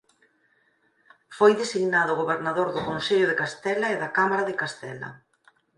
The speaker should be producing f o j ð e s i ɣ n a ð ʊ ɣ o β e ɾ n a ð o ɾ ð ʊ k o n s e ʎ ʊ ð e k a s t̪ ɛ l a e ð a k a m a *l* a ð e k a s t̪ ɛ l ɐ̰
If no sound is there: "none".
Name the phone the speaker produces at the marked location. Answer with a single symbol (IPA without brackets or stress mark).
ɾ